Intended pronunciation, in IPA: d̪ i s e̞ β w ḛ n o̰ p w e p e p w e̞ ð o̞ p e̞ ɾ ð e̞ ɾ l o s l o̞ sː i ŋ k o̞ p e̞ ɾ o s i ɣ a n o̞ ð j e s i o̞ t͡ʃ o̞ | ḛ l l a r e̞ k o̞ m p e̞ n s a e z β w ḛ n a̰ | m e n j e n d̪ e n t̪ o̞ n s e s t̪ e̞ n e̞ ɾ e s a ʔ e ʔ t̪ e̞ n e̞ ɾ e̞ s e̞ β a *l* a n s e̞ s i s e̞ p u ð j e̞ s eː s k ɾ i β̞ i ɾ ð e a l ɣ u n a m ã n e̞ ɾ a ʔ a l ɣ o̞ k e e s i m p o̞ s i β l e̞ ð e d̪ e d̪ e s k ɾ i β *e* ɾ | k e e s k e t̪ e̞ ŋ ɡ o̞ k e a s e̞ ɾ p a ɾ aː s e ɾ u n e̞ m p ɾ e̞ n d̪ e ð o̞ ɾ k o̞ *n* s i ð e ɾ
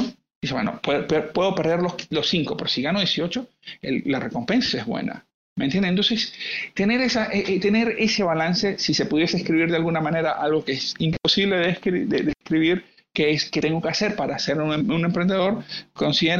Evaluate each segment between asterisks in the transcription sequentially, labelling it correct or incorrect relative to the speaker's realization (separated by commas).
correct, incorrect, correct